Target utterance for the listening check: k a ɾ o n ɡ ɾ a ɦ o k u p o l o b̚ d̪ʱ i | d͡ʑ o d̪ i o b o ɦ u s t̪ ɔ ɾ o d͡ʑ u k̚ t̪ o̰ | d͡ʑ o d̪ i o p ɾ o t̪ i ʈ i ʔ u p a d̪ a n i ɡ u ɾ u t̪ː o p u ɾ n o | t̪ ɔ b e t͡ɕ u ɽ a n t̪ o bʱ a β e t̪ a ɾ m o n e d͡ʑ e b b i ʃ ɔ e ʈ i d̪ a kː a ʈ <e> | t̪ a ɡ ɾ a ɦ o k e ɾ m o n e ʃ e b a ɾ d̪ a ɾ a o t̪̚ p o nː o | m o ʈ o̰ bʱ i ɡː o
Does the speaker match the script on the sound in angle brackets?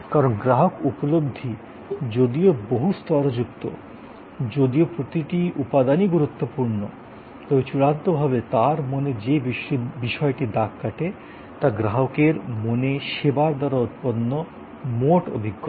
yes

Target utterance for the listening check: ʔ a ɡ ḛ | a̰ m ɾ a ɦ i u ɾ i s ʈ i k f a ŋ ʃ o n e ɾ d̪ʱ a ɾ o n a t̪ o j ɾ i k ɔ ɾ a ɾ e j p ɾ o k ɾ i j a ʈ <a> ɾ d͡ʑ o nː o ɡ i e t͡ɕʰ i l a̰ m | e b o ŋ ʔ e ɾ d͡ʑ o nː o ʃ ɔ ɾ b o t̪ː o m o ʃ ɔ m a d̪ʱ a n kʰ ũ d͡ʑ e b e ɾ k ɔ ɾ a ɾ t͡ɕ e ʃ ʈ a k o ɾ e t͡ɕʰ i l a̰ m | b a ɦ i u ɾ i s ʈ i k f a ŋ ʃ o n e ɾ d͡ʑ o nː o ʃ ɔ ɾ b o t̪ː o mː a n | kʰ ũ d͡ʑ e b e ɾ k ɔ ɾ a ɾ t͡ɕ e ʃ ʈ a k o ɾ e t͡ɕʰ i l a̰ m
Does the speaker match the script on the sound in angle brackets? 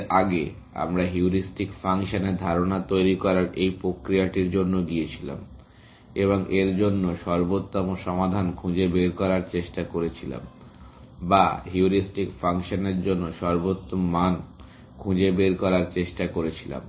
no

